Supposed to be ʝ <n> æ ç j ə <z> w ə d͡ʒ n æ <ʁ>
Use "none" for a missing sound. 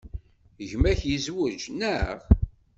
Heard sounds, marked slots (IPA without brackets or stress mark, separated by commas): m, z, ʁ